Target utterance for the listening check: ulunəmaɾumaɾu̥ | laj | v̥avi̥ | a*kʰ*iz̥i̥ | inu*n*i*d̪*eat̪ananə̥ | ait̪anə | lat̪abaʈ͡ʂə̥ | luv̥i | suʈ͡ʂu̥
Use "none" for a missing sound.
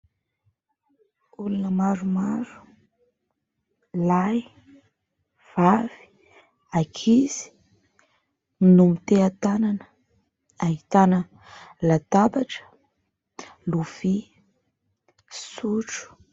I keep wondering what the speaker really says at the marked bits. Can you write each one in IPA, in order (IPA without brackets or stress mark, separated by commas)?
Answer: kʰ, m, t̪